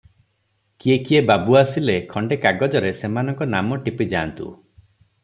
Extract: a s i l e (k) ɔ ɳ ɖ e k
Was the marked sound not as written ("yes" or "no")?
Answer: yes